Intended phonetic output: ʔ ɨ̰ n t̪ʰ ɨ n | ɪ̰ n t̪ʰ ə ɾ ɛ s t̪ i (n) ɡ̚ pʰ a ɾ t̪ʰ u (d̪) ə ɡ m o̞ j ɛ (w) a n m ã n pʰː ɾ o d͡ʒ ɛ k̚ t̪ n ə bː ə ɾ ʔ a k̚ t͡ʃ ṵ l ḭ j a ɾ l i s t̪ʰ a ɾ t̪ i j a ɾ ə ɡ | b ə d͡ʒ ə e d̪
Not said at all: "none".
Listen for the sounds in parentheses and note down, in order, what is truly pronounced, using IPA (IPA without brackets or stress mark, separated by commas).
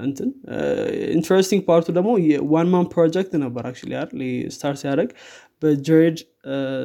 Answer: ŋ, d̪, w